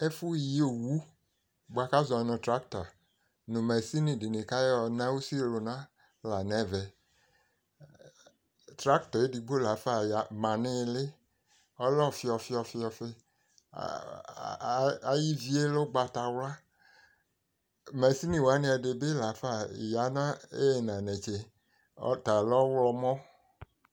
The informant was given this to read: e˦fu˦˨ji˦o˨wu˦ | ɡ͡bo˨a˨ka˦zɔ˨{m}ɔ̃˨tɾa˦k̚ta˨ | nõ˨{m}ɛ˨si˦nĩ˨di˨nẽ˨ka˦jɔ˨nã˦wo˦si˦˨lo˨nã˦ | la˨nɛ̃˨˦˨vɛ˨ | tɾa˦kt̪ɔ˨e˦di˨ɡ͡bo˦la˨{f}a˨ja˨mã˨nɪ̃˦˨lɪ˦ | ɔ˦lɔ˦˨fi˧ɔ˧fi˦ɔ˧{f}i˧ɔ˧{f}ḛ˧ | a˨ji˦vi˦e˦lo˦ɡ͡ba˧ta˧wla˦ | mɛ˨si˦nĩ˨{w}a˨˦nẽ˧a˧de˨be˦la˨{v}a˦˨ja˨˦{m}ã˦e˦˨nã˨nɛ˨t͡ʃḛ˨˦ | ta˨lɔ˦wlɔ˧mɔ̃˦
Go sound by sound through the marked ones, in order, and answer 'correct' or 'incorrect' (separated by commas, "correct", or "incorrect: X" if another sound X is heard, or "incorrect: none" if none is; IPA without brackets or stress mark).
incorrect: n, correct, correct, correct, correct, correct, incorrect: f, incorrect: n